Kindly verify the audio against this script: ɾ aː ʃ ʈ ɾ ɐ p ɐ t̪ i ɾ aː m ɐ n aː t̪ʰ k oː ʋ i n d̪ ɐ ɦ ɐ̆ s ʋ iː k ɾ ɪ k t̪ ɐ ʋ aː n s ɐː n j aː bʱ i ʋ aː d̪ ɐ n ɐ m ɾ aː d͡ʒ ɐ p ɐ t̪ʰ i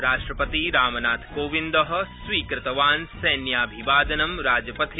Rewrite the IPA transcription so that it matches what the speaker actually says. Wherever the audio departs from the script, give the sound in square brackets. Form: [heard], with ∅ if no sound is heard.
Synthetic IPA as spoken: ɾ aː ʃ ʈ ɾ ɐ p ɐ t̪ i ɾ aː m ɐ n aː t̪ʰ k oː ʋ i n d̪ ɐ ɦ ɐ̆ s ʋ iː k ɾ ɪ [∅] t̪ ɐ ʋ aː n s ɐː n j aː bʱ i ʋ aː d̪ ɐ n ɐ m ɾ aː d͡ʒ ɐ p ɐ t̪ʰ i